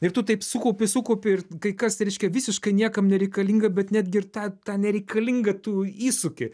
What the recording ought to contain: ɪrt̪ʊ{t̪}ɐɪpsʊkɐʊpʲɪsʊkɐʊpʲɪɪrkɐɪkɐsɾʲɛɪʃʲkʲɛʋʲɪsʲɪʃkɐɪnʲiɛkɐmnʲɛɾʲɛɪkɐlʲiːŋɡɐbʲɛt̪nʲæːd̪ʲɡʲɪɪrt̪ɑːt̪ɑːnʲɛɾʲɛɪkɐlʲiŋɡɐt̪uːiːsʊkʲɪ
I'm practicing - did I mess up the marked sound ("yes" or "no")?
no